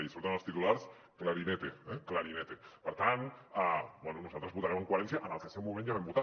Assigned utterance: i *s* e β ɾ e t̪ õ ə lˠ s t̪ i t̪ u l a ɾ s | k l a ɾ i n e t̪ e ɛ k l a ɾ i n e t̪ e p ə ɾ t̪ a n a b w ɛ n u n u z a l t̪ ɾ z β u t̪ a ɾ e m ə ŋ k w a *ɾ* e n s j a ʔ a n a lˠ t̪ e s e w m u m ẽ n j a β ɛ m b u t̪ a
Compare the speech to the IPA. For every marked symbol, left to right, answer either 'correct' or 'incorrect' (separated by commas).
correct, correct